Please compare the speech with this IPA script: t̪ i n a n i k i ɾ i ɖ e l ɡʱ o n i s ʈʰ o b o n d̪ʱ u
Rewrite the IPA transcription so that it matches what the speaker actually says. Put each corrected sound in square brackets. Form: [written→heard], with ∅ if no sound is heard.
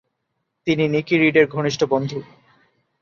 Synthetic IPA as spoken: t̪ i n [a→i] n i k i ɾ i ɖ e [l→ɾ] ɡʱ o n i [s→ʃ] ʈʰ o b o n d̪ʱ u